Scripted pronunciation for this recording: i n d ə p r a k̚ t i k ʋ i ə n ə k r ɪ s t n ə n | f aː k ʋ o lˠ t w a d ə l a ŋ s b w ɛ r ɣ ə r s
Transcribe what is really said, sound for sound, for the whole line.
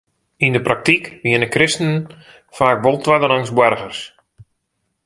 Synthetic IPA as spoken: i n d ə p r a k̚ t i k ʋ i ə n ə k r ɪ s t n ə n | f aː k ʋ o lˠ t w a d ə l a ŋ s b w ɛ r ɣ ə r s